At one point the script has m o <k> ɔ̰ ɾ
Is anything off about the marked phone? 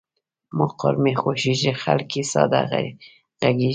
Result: yes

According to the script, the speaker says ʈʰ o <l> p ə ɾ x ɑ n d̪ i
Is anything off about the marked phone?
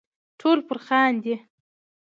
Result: no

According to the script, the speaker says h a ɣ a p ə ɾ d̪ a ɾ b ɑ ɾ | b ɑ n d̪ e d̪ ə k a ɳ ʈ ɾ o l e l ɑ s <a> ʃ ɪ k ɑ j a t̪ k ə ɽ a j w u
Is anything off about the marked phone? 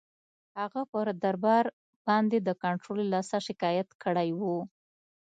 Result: no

